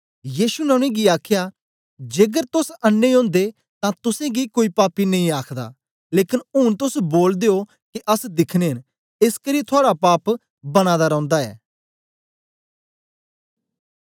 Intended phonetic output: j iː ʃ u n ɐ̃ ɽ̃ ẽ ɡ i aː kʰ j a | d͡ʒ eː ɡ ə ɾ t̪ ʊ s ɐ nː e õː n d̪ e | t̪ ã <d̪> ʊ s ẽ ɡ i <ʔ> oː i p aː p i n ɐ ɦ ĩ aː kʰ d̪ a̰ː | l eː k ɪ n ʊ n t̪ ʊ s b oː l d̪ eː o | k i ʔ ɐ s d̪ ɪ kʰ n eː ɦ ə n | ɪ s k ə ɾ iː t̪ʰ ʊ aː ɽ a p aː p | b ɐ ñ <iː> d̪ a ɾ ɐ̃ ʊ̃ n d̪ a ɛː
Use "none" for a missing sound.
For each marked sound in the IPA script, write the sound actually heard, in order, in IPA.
t̪, k, aː

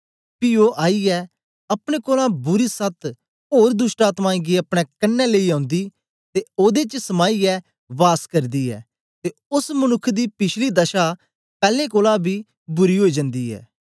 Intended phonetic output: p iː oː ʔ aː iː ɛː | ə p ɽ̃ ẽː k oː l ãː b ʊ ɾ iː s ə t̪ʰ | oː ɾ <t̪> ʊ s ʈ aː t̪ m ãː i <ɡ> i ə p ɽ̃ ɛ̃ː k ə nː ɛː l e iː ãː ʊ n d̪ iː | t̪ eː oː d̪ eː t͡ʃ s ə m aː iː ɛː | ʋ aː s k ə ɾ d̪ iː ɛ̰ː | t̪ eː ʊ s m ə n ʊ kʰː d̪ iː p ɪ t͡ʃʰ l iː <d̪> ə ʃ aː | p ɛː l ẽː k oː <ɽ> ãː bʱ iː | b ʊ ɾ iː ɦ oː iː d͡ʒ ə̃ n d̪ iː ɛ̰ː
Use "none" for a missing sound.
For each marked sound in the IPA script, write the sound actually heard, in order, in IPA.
d̪, ɡ, d̪, l

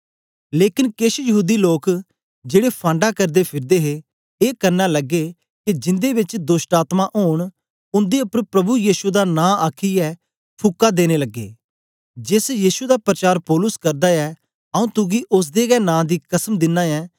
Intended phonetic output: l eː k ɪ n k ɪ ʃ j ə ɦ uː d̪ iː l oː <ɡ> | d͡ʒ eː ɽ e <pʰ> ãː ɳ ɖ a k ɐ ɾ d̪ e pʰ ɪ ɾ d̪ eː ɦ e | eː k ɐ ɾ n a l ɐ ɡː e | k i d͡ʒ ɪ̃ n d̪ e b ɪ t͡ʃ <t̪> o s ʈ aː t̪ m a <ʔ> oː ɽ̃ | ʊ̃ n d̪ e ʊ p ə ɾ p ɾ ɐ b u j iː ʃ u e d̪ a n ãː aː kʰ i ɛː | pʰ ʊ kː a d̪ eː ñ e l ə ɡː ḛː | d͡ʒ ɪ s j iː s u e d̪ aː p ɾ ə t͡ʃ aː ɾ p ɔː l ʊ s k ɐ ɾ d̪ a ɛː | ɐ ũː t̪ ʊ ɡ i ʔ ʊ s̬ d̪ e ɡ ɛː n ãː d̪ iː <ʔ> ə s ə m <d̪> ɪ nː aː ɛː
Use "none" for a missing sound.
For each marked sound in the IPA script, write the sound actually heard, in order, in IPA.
k, pʰ, d̪, ʔ, k, d̪

